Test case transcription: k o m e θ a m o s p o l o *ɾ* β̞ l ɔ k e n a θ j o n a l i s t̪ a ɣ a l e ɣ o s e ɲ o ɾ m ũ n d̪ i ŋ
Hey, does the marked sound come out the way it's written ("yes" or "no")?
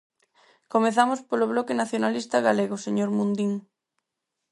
no